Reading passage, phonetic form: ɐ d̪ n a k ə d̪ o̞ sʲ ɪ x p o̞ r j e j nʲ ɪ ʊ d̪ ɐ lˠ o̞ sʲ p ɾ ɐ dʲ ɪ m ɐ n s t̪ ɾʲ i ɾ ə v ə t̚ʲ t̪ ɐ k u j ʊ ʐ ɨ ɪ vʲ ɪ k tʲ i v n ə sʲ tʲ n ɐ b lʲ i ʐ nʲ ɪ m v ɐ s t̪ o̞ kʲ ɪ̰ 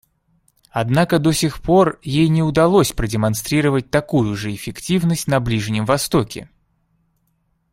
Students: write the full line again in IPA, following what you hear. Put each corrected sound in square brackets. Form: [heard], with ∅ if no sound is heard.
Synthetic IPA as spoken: ɐ d̪ n a k ə d̪ o̞ sʲ ɪ x p o̞ r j e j nʲ ɪ ʊ d̪ ɐ lˠ o̞ sʲ p ɾ [ə] dʲ ɪ m ɐ n s t̪ ɾʲ i ɾ ə v ə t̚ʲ t̪ ɐ k u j ʊ ʐ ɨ ɪ [fʲ] ɪ k tʲ i v n ə sʲ tʲ n ɐ b lʲ i ʐ nʲ ɪ m v ɐ s t̪ o̞ kʲ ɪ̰

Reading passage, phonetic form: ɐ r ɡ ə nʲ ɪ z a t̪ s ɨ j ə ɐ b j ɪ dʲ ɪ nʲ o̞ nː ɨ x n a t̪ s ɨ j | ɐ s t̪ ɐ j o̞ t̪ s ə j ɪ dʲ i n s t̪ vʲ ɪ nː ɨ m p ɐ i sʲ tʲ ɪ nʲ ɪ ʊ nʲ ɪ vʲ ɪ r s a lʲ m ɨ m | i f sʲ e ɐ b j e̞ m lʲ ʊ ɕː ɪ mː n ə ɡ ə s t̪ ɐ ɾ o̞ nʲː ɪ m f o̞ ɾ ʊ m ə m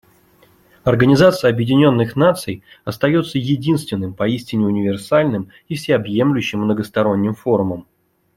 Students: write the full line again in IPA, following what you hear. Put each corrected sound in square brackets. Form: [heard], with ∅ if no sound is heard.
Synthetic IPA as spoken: ɐ r ɡ ə nʲ ɪ z a t̪ s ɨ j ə ɐ b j ɪ dʲ ɪ nʲ o̞ nː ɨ x n a t̪ s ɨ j | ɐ s t̪ ɐ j o̞ t̪ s ə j ɪ dʲ i n s t̪ vʲ ɪ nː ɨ m p ɐ i sʲ tʲ ɪ nʲ ɪ ʊ nʲ ɪ vʲ ɪ r s a lʲ [n] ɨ m | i f sʲ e ɐ b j e̞ m lʲ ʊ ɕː ɪ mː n ə ɡ ə s t̪ ɐ ɾ o̞ nʲː ɪ m f o̞ ɾ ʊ m ə m

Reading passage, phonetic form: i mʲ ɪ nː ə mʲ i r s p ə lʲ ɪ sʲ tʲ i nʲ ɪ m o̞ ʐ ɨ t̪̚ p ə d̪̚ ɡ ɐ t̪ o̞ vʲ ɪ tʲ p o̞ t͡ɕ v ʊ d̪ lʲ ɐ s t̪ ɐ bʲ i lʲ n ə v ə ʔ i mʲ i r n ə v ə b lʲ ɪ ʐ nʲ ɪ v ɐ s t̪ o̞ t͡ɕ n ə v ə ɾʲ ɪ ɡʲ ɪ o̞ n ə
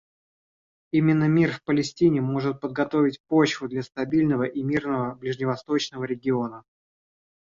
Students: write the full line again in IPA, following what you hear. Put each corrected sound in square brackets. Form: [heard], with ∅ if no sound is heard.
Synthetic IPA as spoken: i mʲ ɪ nː ə mʲ i r [f] p ə lʲ ɪ sʲ tʲ i nʲ ɪ m o̞ ʐ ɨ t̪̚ p ə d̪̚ ɡ ɐ t̪ o̞ vʲ ɪ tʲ p o̞ t͡ɕ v ʊ d̪ lʲ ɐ s t̪ ɐ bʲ i lʲ n ə v ə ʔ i mʲ i r n ə v ə b lʲ ɪ ʐ nʲ ɪ v ɐ s t̪ o̞ t͡ɕ n ə v ə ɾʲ ɪ ɡʲ ɪ o̞ n ə

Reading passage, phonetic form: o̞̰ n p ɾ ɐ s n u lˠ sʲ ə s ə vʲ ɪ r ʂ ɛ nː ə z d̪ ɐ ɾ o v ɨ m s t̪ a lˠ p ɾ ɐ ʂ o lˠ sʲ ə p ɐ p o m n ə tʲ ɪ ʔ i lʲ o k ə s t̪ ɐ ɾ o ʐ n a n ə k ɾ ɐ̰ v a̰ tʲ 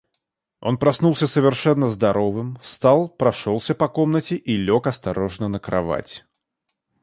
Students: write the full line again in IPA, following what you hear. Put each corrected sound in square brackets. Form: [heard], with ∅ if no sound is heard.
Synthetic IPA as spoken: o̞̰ n p ɾ ɐ s n u lˠ sʲ ə s ə vʲ ɪ r ʂ ɛ nː ə z d̪ ɐ ɾ o v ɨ m s t̪ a lˠ p ɾ ɐ ʂ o lˠ sʲ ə p ɐ [k] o m n ə tʲ ɪ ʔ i lʲ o k [ɐ] s t̪ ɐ ɾ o ʐ n [ə] n ə k ɾ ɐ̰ v a̰ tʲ

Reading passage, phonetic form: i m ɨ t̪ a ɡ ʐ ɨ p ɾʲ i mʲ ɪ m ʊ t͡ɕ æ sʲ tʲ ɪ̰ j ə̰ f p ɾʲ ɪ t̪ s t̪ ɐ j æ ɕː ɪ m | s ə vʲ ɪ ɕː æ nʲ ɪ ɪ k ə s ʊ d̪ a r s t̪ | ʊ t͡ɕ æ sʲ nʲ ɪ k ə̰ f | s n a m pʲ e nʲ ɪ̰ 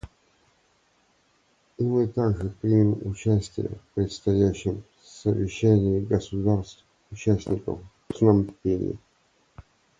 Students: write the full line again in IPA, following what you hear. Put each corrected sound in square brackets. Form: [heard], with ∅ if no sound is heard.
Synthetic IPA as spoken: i m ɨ t̪ a ɡ ʐ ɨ p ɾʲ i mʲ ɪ m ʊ t͡ɕ æ sʲ tʲ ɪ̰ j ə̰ f p ɾʲ ɪ t̪ s t̪ ɐ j æ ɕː ɪ m | s ə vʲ ɪ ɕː æ nʲ ɪ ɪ [ɡ] ə s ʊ d̪ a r s t̪ | ʊ t͡ɕ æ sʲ nʲ ɪ k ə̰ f | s n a m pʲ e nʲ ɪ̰

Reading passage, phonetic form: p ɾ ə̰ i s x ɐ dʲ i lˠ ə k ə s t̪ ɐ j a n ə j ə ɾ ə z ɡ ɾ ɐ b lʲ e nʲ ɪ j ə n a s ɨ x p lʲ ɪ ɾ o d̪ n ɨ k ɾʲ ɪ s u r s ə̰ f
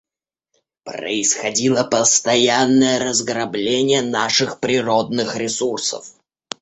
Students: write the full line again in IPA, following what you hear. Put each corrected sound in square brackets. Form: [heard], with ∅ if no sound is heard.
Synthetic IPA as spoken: p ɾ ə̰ [ɪ] s x ɐ dʲ i lˠ ə [p] ə s t̪ ɐ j a [nː] ə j ə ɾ ə z ɡ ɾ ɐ b lʲ e nʲ ɪ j ə n a [ʂ] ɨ x p [ɾʲ] ɪ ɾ o d̪ n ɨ [x] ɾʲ ɪ s u r s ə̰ f

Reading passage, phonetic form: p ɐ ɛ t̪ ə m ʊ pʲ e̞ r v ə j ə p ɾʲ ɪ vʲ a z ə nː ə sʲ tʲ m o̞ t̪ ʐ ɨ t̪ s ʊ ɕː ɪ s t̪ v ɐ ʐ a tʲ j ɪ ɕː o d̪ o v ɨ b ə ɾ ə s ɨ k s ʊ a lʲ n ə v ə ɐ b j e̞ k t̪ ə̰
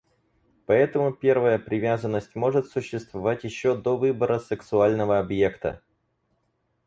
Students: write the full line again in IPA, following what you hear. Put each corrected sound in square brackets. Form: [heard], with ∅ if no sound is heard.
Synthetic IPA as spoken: p ɐ ɛ t̪ ə m ʊ pʲ e̞ r v ə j ə p ɾʲ ɪ vʲ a z ə nː ə sʲ tʲ m o̞ [∅] ʐ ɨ t̪ s ʊ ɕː ɪ s t̪ v ɐ [v] a tʲ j ɪ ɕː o d̪ o v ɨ b ə ɾ ə s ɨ k s ʊ a lʲ n ə v ə ɐ b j e̞ k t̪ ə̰

